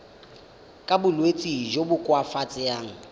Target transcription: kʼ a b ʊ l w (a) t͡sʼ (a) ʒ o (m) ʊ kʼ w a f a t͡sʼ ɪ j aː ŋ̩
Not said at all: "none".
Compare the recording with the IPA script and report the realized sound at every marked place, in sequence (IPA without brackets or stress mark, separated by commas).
e, i, b